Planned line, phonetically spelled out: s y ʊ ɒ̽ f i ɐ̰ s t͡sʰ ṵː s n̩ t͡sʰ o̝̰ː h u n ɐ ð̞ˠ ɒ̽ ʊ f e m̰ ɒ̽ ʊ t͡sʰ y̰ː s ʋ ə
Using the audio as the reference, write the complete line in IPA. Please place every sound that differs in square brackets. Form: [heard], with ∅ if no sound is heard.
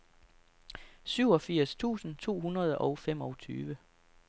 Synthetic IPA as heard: s y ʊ ɒ̽ f i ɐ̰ s t͡sʰ ṵː s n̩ t͡sʰ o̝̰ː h u n ɐ ð̞ˠ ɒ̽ ʊ f e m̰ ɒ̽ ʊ t͡sʰ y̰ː [∅] ʋ ə